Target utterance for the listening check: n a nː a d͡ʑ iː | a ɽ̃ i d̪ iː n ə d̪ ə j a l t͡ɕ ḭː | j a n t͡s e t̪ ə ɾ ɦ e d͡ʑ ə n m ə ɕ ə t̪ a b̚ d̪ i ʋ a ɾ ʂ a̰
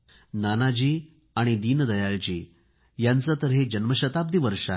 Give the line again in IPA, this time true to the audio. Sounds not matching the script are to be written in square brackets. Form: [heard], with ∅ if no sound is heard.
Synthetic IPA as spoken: n a [n] a d͡ʑ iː | a ɽ̃ i d̪ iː n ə d̪ ə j a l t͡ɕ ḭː | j a n t͡s [a] t̪ ə ɾ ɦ e d͡ʑ ə n m ə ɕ ə t̪ a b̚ d̪ i ʋ [ə] ɾ ʂ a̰

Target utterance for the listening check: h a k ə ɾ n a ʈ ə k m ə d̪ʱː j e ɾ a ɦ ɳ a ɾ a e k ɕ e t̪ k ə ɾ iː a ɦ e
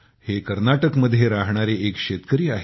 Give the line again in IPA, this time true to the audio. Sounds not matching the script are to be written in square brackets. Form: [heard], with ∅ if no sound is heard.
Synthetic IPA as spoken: h [e] k ə ɾ n a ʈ ə k m ə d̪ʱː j e ɾ a ɦ ɳ a ɾ [e] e k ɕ e t̪ k ə ɾ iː a ɦ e

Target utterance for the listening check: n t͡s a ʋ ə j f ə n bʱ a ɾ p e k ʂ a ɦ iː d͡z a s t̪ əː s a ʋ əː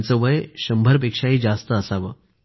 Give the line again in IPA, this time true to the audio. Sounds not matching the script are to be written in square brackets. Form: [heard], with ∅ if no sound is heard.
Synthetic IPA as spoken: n t͡s [ə] ʋ ə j [ɕ] ə [m] bʱ [ə] ɾ p e k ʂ a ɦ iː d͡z a s t̪ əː s a ʋ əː

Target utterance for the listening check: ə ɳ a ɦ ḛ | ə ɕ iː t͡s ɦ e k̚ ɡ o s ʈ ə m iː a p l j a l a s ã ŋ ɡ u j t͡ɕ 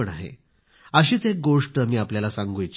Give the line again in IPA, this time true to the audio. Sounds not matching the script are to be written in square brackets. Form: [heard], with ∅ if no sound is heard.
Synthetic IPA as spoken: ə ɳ a ɦ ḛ | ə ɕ iː t͡s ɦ e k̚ ɡ o [ʂ] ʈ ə m iː a p l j a l a s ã ŋ ɡ u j t͡ɕ

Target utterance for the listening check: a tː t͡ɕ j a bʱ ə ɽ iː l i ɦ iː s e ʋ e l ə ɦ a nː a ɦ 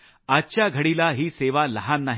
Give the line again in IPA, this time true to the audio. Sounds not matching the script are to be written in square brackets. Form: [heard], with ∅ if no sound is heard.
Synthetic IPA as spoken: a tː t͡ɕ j a [ɡʱ] ə ɽ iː l [a] ɦ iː s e ʋ [a] l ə ɦ a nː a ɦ

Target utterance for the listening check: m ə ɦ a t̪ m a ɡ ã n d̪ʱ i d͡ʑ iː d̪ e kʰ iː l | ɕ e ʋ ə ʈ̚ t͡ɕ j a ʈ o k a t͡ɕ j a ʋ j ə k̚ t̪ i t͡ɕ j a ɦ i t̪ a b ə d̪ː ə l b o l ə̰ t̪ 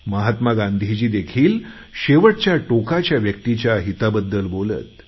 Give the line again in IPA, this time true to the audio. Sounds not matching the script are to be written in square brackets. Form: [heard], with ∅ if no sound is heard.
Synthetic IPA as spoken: m ə ɦ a t̪ m a ɡ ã n d̪ʱ i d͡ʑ iː d̪ e kʰ iː l | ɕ e ʋ ə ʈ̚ t͡ɕ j a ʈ o k a t͡ɕ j a ʋ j ə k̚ t̪ i t͡ɕ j a ɦ i t̪ a b ə d̪ː ə l b o l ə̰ t̪

